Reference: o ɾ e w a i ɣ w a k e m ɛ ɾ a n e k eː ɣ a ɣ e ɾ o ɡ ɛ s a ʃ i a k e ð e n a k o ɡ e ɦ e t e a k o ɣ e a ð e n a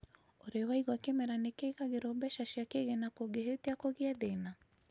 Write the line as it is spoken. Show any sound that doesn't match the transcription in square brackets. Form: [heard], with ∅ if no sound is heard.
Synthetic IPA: o ɾ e w a i ɣ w a k e m ɛ ɾ a n e k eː ɣ a ɣ e ɾ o [b] ɛ [ʃ] a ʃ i a k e [ɣ] e n a k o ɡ e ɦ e t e a k o ɣ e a ð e n a

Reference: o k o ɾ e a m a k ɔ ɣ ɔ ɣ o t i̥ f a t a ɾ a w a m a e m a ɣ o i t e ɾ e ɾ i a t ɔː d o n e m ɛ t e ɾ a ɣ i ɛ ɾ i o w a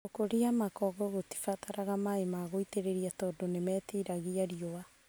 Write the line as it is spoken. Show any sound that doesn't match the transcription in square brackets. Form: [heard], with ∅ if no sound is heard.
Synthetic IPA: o k o ɾ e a m a k ɔ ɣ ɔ ɣ o t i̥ f a t a ɾ a [ɣ] a m a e m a ɣ o i t e ɾ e ɾ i a t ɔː d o n e m ɛ t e ɾ a ɣ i [a] ɾ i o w a

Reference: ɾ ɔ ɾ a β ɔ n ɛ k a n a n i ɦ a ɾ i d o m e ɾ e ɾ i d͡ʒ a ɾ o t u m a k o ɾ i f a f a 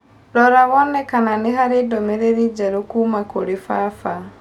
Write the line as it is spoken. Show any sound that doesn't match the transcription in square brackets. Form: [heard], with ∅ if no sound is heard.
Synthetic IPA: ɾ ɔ ɾ a β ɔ n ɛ k a n a n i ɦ a ɾ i d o m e ɾ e ɾ i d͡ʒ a ɾ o [k] u m a k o ɾ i f a f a

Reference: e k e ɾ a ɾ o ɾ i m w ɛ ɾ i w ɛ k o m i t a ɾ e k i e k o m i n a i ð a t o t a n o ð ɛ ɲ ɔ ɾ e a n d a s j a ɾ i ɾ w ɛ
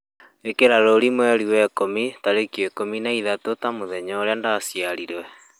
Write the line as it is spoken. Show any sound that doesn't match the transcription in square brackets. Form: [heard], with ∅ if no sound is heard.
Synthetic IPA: e k e ɾ a ɾ o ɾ i m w ɛ ɾ i w ɛ k o m i t a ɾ e k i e k o m i n a i ð a t o t a [m] o ð ɛ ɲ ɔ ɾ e a n d a s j a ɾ i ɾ w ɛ

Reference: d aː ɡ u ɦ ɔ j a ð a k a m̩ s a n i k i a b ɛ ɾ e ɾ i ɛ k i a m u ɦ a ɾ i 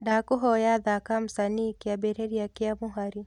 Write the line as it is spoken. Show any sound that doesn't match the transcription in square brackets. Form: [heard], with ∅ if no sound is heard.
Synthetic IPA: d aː [k] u ɦ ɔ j a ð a k a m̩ s a n i k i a b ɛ ɾ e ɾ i [a] k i a m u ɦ a ɾ i

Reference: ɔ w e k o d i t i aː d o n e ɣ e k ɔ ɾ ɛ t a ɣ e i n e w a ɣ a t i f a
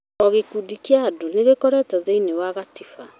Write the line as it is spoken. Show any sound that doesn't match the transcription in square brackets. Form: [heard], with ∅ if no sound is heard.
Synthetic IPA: ɔ [ɣ] e k [u] d i [k] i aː d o n e ɣ e k ɔ ɾ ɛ t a [ð] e i n e w a ɣ a t i f a

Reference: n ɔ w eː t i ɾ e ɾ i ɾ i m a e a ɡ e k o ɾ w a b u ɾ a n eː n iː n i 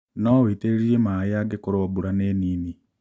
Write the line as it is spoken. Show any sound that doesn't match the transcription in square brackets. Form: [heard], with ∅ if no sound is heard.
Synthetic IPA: n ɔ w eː t [e] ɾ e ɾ i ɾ [e] m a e a ɡ e k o ɾ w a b u ɾ a n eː n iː n i

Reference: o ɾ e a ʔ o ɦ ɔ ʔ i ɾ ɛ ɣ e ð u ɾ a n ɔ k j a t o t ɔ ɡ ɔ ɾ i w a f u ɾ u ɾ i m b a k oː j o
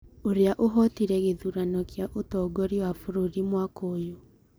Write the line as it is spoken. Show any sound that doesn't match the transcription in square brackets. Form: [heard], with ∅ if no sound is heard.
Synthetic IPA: o ɾ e a ʔ o ɦ ɔ [t] i ɾ ɛ ɣ e ð u ɾ a n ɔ k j a [ʔ] o t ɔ ɡ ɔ ɾ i w a f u ɾ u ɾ i m [w] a k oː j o

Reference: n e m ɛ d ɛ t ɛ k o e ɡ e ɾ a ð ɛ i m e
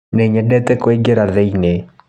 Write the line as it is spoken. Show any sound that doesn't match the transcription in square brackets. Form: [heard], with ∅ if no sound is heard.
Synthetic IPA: n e [ɲ] ɛ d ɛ t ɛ k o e ɡ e ɾ a ð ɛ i [n] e

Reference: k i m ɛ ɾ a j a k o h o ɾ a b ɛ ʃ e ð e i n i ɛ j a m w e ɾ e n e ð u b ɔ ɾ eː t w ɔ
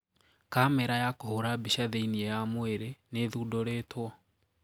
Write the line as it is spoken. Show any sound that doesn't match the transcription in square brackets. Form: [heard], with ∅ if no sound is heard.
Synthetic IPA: k [a] m ɛ ɾ a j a k o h o ɾ a b [i] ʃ [a] ð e i n i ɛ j a m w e ɾ e n e ð u [d] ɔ ɾ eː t w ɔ

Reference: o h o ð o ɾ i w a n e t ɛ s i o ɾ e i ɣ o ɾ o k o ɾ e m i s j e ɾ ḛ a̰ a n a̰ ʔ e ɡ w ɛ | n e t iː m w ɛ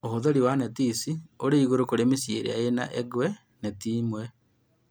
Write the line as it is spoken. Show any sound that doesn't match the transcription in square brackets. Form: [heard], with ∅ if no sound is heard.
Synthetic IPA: o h o ð o ɾ i w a n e t [i] s i o ɾ e i ɣ o ɾ o k o ɾ e m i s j e ɾ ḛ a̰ [e] n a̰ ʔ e ɡ w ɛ | n e t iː m w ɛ

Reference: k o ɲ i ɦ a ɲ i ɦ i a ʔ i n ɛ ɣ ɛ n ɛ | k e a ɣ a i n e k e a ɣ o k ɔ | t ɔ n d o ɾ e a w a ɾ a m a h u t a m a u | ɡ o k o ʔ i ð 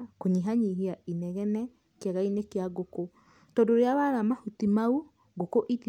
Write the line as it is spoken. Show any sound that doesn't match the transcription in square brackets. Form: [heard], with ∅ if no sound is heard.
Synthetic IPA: k o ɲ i ɦ a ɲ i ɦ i a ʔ i n ɛ ɣ ɛ n ɛ | k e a ɣ a i n e k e a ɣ o k [o] | t ɔ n d o ɾ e a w a ɾ a m a h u t [i] m a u | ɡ o k o ʔ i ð

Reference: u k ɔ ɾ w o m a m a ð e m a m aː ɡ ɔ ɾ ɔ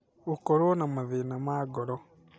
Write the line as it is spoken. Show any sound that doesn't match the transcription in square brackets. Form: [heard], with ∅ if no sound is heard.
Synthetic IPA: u k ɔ ɾ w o [n] a m a ð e [n] a m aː ɡ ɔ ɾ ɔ

